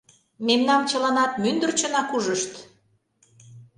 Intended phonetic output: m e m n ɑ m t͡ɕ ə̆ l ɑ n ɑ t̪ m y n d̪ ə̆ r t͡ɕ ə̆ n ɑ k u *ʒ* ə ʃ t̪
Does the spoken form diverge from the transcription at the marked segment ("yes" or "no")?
no